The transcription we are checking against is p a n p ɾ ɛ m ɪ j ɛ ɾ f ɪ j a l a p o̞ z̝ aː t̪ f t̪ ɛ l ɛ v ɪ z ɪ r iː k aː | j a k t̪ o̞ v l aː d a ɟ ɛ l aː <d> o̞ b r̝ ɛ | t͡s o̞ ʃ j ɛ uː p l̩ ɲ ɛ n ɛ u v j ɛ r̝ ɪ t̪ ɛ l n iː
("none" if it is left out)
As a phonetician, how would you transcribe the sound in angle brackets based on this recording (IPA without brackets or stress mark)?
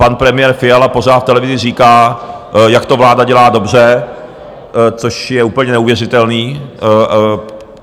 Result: d